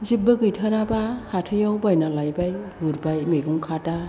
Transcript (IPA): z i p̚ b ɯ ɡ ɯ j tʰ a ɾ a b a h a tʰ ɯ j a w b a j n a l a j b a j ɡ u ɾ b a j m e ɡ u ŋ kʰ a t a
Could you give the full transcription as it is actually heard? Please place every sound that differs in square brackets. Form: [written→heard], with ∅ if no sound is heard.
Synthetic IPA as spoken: z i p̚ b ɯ ɡ ɯ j tʰ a ɾ a b a h a tʰ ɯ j a w b a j n a l a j b a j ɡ u ɾ b a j m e ɡ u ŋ kʰ a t a